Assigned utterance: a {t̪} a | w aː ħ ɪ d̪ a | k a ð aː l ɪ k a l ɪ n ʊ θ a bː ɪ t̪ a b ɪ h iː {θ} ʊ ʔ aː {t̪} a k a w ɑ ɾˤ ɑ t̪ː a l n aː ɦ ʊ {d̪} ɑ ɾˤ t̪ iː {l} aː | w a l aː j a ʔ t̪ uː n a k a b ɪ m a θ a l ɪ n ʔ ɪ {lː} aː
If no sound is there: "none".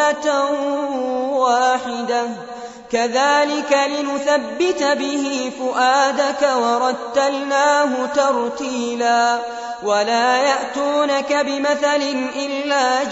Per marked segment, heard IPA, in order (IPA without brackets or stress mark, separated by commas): t̪, f, d̪, t̪, l, lː